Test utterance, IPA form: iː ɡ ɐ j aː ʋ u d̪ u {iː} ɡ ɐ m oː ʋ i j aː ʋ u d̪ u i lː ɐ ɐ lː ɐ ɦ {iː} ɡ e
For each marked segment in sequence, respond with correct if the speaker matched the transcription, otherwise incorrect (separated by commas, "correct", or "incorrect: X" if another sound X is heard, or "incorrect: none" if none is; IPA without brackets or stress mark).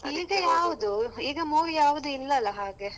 correct, incorrect: aː